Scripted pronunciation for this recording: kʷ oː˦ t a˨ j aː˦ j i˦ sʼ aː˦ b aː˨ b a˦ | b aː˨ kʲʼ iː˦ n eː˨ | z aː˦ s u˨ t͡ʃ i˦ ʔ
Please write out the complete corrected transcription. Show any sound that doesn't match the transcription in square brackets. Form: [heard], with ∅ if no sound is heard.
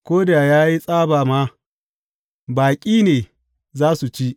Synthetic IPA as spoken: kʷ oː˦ [d] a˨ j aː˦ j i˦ sʼ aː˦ b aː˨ [m] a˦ | b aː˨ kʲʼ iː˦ n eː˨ | z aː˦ s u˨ t͡ʃ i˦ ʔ